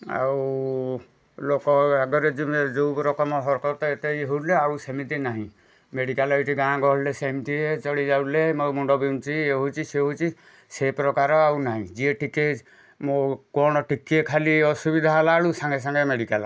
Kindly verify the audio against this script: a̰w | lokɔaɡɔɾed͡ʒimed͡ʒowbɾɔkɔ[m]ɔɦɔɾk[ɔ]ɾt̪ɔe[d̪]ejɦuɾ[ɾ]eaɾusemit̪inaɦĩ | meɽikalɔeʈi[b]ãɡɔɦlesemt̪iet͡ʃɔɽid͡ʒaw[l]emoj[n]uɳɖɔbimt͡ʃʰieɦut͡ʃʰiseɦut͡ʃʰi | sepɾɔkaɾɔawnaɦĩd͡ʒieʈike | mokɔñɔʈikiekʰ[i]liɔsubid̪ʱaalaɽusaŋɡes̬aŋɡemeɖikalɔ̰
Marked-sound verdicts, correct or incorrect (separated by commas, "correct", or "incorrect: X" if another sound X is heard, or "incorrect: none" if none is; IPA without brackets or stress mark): correct, correct, incorrect: t̪, incorrect: l, incorrect: ɡ, correct, incorrect: m, incorrect: a